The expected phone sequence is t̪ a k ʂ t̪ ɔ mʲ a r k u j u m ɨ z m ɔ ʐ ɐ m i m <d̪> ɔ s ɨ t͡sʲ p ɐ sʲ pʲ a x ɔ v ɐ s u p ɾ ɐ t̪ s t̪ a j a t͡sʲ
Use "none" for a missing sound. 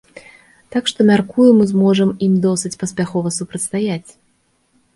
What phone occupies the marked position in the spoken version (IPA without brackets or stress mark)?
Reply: d̪